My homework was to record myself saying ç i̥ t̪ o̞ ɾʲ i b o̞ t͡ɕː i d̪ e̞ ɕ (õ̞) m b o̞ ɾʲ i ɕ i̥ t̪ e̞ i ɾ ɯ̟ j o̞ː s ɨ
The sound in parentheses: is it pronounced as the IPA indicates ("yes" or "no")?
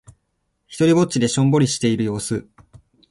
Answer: yes